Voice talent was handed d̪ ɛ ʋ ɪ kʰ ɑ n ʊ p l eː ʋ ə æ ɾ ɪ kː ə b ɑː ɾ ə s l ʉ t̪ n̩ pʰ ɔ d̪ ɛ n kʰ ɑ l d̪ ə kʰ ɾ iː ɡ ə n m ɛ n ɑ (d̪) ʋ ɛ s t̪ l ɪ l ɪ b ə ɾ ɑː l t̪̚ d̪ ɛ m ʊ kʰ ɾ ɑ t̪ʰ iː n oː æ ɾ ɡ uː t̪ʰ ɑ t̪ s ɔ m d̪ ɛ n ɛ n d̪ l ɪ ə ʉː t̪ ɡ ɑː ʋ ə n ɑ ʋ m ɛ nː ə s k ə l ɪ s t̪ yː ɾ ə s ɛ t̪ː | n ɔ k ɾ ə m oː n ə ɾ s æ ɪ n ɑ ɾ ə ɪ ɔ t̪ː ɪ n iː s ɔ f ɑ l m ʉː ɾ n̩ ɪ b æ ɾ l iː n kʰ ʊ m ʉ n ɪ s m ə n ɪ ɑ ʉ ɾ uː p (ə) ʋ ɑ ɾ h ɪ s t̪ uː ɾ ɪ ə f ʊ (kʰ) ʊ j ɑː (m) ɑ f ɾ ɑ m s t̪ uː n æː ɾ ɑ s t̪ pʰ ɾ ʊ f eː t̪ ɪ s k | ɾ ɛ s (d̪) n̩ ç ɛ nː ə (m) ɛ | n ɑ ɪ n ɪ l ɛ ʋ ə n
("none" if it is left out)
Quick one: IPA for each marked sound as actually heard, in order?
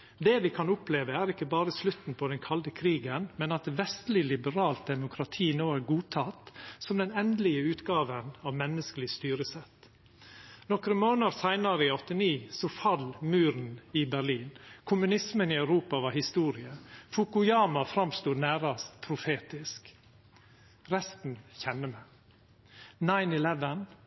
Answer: t̪, ɑ, k, m, t̪, m

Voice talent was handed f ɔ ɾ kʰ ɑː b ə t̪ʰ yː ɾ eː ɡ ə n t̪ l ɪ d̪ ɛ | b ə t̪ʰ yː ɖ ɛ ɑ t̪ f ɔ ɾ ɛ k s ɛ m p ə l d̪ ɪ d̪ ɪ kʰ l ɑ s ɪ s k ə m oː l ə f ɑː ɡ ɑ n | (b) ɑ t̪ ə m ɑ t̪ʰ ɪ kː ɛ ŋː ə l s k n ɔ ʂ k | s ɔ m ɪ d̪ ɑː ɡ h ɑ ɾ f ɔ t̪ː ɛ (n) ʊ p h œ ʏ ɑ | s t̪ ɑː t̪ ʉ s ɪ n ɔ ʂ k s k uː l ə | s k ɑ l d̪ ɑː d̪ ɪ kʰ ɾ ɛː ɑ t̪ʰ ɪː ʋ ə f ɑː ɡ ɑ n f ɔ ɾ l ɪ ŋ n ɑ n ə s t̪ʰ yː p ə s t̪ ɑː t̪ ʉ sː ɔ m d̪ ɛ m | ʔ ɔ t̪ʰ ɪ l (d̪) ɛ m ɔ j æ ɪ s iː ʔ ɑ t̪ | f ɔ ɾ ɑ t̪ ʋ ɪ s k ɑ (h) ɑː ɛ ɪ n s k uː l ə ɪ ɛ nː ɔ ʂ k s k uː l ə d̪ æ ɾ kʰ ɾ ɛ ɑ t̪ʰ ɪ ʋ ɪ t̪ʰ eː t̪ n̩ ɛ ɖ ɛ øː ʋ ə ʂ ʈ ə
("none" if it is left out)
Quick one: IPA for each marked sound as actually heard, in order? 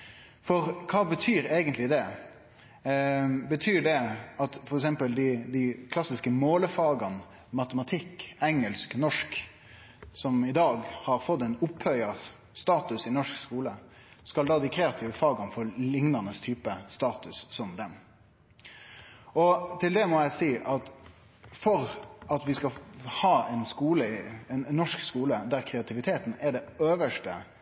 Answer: m, n, d̪, h

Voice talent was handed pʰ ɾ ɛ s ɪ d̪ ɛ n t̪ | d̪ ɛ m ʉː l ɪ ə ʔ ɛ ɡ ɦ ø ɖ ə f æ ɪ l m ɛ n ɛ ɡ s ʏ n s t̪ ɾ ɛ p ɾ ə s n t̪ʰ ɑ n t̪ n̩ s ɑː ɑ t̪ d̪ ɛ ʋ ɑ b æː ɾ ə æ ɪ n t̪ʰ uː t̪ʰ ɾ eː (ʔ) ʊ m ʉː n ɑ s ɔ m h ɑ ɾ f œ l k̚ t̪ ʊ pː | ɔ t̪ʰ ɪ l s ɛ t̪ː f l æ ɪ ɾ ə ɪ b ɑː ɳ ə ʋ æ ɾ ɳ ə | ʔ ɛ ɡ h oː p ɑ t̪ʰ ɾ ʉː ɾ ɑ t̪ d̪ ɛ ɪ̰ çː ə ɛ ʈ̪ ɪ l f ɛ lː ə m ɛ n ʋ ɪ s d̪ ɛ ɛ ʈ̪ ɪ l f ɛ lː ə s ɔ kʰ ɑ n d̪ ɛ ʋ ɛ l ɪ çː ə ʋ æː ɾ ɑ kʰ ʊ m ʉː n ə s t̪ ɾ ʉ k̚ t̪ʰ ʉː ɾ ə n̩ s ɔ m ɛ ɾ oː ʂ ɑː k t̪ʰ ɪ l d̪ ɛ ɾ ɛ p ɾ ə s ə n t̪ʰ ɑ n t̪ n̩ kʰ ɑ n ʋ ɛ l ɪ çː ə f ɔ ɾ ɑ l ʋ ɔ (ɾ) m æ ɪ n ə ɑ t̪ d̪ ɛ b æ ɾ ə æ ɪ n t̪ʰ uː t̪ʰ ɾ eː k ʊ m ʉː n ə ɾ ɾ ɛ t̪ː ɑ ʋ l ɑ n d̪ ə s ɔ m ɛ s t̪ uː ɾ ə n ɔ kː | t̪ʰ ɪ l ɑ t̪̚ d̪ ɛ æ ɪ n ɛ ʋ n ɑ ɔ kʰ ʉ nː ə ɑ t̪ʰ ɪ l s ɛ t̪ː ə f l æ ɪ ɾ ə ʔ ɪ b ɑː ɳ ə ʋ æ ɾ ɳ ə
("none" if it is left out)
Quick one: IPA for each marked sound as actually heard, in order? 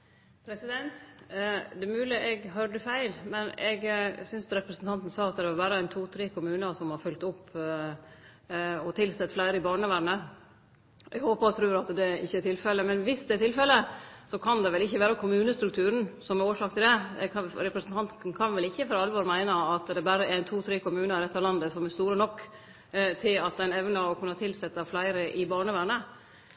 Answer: k, ɾ

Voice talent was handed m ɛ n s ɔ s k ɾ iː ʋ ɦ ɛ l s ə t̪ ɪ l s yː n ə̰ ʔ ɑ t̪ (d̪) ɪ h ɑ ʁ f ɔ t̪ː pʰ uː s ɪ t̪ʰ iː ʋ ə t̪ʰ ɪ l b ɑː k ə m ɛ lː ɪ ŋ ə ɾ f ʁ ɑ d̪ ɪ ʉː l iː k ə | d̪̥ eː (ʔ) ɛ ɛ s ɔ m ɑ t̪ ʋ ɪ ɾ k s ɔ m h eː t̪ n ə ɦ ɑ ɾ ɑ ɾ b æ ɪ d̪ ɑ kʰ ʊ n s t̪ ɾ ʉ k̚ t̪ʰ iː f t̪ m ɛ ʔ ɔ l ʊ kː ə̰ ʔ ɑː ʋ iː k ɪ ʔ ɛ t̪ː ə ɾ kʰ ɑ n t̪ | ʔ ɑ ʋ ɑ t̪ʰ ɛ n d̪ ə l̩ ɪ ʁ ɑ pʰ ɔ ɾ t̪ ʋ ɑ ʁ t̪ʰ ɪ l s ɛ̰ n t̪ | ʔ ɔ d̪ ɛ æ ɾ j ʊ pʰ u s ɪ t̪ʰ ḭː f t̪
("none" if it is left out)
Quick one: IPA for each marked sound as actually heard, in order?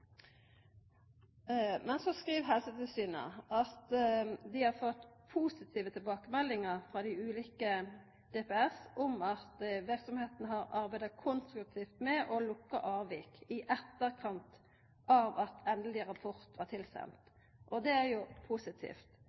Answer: d̪, p

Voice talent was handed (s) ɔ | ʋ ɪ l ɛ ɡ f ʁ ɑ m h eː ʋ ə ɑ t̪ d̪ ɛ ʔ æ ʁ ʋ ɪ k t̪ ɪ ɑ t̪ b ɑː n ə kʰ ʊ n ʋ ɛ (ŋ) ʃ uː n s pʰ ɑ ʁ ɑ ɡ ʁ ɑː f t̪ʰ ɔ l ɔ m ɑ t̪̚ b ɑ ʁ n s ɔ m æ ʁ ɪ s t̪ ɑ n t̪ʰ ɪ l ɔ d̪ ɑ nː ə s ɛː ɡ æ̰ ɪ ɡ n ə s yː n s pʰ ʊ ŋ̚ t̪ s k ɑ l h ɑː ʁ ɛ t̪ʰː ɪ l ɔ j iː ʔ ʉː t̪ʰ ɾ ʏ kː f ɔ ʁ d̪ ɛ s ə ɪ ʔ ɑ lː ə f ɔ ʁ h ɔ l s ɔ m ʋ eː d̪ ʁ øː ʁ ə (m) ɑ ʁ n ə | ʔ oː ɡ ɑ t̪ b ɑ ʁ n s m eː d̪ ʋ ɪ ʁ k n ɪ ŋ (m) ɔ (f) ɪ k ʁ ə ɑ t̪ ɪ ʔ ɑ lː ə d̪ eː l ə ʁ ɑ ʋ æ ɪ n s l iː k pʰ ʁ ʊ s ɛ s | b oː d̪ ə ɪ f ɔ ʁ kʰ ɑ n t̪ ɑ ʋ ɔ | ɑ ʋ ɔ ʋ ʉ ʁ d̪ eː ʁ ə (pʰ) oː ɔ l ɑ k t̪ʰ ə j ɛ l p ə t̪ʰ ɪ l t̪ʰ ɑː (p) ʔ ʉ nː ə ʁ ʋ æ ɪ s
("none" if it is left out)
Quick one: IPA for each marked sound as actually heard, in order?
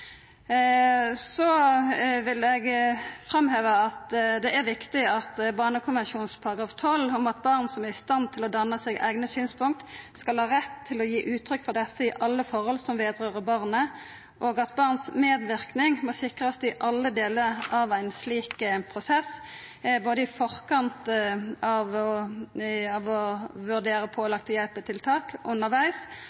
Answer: s, n, b, m, s, pʰ, k

